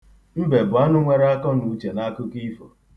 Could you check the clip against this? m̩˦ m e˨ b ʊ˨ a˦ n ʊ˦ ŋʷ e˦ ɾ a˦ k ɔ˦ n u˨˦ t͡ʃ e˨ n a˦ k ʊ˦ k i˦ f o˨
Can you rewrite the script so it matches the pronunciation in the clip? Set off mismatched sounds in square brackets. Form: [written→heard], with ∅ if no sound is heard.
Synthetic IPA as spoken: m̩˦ [m→b] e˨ b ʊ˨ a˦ n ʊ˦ ŋʷ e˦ ɾ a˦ k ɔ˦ n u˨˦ t͡ʃ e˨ n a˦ k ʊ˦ k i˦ f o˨

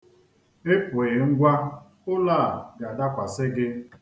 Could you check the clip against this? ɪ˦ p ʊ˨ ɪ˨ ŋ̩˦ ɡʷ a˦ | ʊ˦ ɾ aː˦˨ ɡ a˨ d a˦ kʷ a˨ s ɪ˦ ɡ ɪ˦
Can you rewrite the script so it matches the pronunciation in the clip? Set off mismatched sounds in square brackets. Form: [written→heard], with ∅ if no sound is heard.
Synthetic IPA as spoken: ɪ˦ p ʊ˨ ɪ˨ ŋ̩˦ ɡʷ a˦ | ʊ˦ [ɾ→l] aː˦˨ ɡ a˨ d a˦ kʷ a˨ s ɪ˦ ɡ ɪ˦

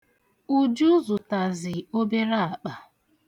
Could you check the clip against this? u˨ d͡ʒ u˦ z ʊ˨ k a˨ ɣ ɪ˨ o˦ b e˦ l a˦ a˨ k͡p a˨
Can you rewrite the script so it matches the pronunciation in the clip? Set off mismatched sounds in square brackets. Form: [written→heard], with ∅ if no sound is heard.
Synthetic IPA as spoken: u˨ d͡ʒ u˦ z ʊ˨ [k→t] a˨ [ɣ→z] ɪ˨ o˦ b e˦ [l→ɾ] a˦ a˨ k͡p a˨

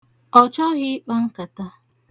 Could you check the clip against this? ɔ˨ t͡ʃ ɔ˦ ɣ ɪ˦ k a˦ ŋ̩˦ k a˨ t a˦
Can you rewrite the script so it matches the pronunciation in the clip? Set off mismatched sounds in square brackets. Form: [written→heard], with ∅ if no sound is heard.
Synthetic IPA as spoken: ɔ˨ t͡ʃ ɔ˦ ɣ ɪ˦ [k→k͡p] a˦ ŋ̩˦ k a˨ t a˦

